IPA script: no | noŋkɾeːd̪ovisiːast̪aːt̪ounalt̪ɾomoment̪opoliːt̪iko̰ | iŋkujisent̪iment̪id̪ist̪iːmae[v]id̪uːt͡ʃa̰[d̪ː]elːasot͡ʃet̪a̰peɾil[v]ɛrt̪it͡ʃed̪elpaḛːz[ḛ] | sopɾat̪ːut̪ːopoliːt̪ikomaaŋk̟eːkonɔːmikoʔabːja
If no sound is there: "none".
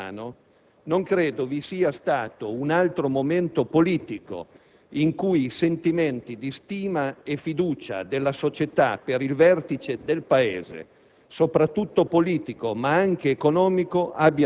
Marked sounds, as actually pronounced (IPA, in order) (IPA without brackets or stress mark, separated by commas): f, d̪, v, ḛ